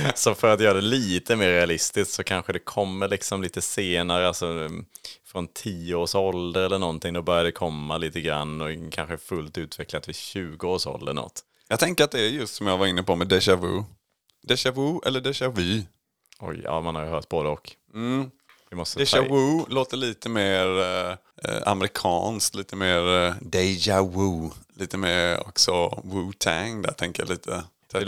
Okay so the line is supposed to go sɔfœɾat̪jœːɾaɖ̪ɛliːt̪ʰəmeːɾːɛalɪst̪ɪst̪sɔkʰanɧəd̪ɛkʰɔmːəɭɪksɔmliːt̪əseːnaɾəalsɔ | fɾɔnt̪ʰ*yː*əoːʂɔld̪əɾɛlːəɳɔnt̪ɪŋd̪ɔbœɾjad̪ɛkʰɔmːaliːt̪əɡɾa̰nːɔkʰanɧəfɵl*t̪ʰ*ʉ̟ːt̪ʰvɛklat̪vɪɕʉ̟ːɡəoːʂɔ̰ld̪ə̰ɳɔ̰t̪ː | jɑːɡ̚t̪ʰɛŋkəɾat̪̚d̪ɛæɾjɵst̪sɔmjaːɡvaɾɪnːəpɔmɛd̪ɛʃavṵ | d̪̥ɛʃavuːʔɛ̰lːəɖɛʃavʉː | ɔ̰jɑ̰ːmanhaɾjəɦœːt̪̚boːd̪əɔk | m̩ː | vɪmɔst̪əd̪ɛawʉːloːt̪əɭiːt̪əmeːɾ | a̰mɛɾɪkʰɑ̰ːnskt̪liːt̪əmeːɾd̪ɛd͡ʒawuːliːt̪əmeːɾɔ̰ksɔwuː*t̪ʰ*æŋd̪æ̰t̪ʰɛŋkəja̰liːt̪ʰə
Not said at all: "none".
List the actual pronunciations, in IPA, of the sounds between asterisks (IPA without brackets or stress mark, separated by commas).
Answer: iː, t̪, t̪ʰ